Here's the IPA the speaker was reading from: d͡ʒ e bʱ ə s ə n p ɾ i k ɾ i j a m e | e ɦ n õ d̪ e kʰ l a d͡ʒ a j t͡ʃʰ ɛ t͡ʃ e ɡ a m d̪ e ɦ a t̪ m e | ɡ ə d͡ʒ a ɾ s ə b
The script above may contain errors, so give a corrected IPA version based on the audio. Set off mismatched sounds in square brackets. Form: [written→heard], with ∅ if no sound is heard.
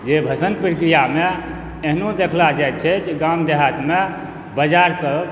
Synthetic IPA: d͡ʒ e bʱ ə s ə n p ɾ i k ɾ i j a m e | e ɦ n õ d̪ e kʰ l a d͡ʒ a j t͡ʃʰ ɛ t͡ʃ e ɡ a m d̪ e ɦ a t̪ m e | [ɡ→b] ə d͡ʒ a ɾ s ə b